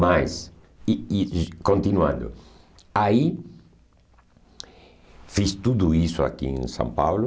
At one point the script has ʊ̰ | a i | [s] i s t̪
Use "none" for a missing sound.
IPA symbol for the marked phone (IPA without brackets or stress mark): f